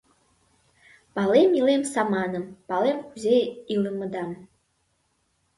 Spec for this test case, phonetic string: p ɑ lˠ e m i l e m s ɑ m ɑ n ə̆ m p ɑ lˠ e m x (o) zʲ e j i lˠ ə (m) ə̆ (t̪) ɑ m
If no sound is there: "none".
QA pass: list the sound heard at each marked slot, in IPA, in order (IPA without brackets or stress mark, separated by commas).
u, m, d̪